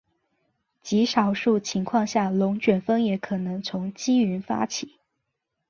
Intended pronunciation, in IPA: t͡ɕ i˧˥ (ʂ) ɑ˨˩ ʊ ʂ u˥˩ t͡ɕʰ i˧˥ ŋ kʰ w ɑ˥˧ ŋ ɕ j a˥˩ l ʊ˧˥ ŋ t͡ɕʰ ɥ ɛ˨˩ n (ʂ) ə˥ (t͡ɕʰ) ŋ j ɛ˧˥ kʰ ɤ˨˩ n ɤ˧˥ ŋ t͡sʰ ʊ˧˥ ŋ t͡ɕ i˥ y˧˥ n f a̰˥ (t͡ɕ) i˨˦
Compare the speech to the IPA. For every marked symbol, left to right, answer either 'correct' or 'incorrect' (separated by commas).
correct, incorrect, incorrect, incorrect